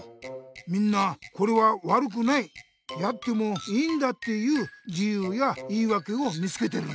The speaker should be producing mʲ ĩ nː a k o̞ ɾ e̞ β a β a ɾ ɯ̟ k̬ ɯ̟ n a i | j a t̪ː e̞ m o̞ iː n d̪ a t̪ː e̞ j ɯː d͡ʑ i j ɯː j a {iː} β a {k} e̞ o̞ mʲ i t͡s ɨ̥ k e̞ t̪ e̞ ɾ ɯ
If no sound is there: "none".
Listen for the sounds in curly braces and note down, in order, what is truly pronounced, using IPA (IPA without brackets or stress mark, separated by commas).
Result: iː, k